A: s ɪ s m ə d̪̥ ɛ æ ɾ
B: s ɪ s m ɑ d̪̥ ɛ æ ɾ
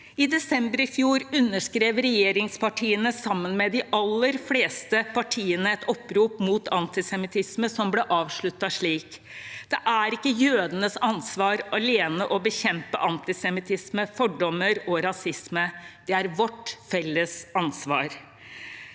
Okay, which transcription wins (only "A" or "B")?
A